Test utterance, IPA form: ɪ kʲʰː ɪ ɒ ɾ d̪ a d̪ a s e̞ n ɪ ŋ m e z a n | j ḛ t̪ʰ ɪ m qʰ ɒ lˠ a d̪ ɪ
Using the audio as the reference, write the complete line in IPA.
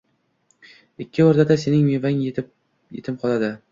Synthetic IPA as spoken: ɪ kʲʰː ɪ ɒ ɾ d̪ a d̪ a s e̞ n ɪ ŋ m e v a ŋ | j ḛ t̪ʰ ɪ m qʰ ɒ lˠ a d̪ ɪ